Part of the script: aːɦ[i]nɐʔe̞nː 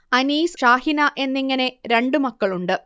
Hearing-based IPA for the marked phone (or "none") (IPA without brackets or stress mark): i